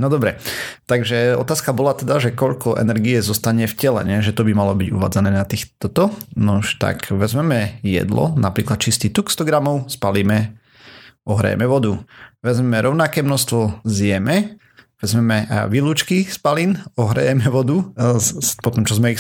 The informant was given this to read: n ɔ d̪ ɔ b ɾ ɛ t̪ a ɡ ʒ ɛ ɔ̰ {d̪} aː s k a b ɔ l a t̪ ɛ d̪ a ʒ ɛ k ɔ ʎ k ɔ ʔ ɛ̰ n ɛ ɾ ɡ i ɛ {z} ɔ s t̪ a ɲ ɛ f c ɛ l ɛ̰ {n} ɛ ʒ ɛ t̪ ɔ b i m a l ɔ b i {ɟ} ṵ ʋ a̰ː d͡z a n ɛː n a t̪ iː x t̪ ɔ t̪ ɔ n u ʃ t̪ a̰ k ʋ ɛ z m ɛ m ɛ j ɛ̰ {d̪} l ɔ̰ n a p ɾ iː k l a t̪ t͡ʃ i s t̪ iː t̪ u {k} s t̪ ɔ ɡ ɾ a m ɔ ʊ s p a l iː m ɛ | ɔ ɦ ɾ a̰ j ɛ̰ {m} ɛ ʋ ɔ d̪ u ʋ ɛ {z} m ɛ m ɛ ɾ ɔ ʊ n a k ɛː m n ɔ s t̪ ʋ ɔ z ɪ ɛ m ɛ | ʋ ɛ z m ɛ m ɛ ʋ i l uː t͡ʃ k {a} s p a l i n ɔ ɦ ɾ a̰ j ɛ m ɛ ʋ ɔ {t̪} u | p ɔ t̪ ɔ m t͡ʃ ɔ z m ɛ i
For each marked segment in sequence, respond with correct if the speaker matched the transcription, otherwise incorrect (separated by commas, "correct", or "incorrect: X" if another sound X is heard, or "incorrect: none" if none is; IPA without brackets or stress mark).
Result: incorrect: t̪, correct, incorrect: ɲ, correct, correct, correct, correct, correct, incorrect: i, incorrect: d̪